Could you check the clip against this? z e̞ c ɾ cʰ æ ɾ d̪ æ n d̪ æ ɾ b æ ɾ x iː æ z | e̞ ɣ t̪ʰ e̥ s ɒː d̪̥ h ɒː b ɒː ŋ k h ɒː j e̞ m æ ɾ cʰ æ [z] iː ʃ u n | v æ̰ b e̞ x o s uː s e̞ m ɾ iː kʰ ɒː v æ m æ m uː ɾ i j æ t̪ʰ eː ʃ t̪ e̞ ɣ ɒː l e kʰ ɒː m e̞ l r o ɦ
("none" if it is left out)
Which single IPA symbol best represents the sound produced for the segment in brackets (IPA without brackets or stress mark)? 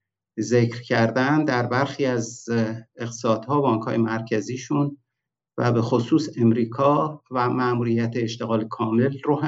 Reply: z